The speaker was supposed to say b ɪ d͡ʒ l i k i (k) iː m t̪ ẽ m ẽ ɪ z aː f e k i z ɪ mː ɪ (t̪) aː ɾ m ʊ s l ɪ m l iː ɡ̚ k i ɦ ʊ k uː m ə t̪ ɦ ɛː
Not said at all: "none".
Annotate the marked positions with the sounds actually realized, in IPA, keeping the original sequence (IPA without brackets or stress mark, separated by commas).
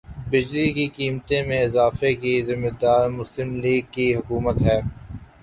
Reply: k, d̪